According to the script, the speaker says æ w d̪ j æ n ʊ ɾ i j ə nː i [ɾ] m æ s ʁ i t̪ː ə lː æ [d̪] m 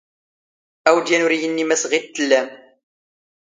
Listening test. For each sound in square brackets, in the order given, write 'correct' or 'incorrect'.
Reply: incorrect: none, incorrect: none

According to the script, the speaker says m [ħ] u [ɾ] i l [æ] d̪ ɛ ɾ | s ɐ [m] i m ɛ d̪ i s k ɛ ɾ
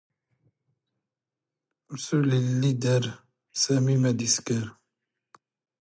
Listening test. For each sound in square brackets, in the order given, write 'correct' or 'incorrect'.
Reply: incorrect: s, incorrect: l, incorrect: i, correct

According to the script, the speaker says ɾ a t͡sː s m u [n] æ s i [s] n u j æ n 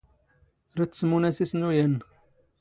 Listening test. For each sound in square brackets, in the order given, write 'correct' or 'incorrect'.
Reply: correct, correct

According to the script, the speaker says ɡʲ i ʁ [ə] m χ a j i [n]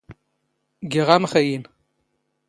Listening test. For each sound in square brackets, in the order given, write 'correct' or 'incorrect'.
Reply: incorrect: a, correct

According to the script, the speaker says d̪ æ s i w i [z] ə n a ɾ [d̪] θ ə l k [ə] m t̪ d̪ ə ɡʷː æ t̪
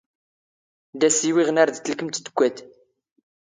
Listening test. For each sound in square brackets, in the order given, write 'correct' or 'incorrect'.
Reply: incorrect: ʁ, correct, correct

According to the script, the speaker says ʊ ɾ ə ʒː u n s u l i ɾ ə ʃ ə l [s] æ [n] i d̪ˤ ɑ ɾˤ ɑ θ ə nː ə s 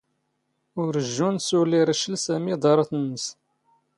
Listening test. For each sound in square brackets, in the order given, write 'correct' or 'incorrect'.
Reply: correct, incorrect: m

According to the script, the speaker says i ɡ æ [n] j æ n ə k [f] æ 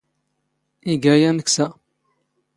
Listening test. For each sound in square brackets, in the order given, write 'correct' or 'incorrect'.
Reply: incorrect: none, incorrect: s

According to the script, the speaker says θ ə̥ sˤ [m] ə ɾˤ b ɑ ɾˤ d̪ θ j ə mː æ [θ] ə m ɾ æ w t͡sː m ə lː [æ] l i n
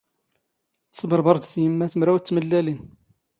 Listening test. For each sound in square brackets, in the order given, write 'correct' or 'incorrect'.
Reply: incorrect: b, correct, correct

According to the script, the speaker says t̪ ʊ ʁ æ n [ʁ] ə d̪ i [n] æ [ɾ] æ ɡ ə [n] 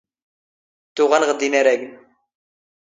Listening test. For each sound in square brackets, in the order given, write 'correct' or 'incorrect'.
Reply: correct, correct, correct, correct

